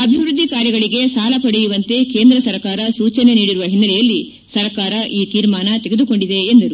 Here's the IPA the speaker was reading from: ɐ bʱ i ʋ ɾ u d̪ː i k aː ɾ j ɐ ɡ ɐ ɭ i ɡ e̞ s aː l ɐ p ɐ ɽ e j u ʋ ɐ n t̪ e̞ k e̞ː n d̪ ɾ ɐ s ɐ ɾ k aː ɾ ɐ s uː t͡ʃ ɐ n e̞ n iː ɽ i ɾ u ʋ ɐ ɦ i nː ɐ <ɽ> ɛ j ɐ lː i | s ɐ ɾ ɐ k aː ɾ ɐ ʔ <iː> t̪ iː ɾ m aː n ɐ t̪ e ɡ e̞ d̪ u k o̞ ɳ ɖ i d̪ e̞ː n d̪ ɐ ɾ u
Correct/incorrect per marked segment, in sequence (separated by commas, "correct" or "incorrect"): incorrect, correct